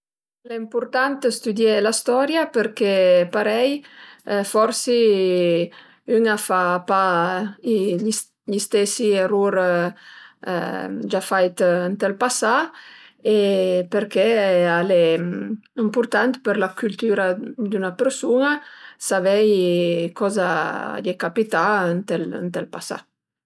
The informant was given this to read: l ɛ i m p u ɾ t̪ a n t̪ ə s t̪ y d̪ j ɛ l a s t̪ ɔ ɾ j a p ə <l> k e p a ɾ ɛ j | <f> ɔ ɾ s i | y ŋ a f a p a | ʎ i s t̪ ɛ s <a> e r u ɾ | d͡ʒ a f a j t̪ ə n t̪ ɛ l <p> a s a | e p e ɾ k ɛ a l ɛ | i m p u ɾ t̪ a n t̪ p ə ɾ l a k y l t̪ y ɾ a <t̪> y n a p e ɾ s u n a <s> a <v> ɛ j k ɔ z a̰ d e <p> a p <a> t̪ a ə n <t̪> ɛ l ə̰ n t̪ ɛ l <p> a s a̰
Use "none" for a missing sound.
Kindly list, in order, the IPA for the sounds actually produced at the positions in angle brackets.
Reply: ɾ, f, i, p, d̪, s, v, k, i, t̪, p

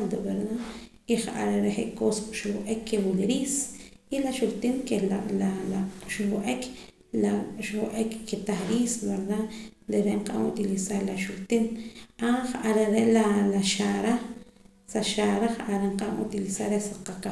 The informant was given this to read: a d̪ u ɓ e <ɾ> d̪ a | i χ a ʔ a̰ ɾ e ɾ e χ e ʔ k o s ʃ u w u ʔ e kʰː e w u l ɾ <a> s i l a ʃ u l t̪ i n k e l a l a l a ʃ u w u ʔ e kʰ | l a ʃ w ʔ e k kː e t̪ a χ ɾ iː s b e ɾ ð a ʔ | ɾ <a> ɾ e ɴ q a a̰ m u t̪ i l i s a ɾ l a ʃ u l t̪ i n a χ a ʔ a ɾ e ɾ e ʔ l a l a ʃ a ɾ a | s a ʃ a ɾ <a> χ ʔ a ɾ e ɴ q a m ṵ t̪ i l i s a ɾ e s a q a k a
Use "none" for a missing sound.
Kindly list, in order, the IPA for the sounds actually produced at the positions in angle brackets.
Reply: ɾ, i, e, a

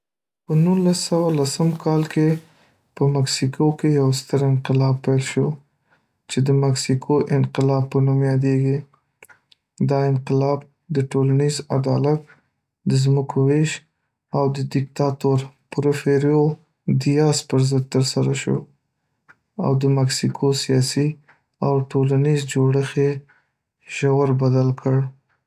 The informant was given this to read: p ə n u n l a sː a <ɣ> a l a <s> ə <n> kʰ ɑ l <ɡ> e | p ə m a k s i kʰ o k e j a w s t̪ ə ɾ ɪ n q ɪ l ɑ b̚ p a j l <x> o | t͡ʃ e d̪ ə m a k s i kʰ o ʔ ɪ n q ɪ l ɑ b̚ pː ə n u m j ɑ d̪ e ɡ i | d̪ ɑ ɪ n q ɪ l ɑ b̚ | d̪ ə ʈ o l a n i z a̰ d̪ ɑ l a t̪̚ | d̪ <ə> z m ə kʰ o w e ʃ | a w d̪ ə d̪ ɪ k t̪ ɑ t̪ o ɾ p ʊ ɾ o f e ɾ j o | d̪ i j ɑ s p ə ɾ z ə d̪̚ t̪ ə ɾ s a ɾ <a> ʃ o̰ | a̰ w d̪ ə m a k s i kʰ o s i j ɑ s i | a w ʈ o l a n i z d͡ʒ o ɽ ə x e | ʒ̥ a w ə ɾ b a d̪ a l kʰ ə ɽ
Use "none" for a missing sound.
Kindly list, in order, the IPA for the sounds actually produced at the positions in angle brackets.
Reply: w, s, m, k, ʃ, ə, a

